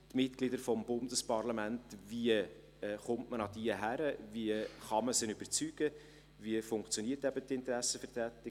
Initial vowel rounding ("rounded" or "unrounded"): unrounded